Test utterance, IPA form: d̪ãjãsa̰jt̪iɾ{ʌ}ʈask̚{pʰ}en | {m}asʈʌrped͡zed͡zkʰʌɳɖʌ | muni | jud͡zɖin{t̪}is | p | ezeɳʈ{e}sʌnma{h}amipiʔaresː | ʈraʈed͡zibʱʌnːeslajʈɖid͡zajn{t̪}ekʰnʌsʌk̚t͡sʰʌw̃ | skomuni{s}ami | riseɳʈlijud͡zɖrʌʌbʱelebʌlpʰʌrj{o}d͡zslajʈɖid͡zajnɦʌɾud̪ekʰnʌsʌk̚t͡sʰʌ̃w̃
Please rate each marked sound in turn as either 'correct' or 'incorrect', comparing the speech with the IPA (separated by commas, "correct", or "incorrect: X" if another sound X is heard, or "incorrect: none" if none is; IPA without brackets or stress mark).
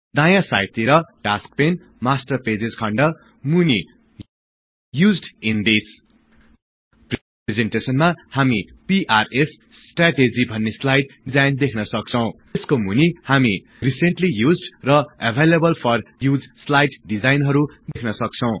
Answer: correct, incorrect: p, correct, incorrect: d̪, correct, correct, incorrect: d̪, incorrect: h, incorrect: u